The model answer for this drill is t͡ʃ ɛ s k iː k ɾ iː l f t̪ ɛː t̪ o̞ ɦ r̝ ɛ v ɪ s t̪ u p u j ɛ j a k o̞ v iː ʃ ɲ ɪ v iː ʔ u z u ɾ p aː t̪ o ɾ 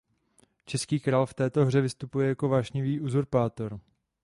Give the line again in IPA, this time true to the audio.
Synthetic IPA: t͡ʃ ɛ s k iː k ɾ aː l f t̪ ɛː t̪ o̞ ɦ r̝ ɛ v ɪ s t̪ u p u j ɛ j a k o̞ v aː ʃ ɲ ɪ v iː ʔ u z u ɾ p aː t̪ o ɾ